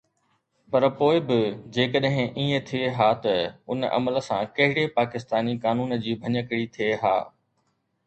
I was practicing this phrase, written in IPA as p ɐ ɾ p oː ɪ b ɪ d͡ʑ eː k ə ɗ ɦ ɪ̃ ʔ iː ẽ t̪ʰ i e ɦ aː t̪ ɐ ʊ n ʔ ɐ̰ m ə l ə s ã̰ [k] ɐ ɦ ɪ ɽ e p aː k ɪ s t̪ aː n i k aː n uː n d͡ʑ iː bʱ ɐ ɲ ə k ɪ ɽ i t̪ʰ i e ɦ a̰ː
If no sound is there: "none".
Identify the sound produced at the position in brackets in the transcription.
k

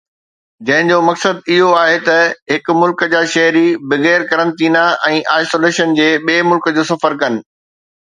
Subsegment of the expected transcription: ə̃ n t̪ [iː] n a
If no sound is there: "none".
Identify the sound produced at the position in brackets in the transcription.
iː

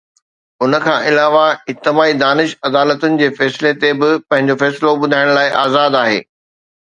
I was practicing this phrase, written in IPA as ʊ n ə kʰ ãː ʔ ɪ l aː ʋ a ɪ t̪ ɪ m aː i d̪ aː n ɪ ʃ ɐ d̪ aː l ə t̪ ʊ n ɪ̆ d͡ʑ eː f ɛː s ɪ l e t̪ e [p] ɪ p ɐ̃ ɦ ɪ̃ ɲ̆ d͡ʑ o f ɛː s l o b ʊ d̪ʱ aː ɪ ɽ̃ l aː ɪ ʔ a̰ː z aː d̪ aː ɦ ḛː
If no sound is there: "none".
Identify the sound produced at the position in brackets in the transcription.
b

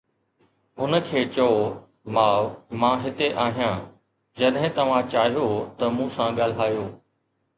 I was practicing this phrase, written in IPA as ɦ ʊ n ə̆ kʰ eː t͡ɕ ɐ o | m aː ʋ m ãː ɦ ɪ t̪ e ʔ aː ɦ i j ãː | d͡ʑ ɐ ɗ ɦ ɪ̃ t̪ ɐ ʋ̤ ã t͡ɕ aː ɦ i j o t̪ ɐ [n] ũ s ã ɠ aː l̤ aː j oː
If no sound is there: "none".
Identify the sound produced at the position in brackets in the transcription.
m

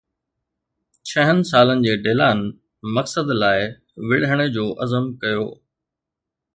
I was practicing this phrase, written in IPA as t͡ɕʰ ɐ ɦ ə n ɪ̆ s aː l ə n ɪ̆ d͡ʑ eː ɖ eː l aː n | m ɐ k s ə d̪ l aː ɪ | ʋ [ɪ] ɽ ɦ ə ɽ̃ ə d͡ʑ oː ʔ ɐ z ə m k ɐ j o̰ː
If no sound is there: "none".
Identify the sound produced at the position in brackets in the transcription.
ɪ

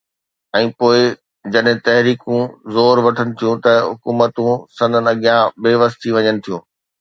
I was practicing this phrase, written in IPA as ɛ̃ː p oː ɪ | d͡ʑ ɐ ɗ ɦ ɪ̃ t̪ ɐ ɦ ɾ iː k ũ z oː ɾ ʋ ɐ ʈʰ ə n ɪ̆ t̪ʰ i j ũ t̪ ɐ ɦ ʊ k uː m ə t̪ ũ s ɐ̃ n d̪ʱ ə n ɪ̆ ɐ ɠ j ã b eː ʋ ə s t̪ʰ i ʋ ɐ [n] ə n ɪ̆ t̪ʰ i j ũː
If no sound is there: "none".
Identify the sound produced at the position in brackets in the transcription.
ɲ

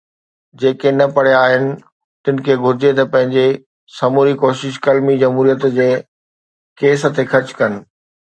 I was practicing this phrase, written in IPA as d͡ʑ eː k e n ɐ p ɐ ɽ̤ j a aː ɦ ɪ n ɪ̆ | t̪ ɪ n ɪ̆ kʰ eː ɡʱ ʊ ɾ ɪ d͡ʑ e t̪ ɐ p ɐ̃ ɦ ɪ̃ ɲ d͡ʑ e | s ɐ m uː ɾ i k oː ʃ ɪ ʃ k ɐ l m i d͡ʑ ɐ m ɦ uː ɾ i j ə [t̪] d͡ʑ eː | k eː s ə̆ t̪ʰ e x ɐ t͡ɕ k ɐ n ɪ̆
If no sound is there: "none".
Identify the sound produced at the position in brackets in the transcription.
t̪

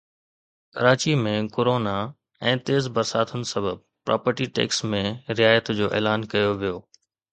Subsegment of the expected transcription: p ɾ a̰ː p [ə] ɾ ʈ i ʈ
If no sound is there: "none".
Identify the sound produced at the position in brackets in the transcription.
ə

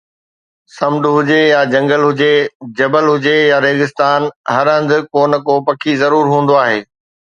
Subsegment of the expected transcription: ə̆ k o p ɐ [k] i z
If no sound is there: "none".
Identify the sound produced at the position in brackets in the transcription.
kʰ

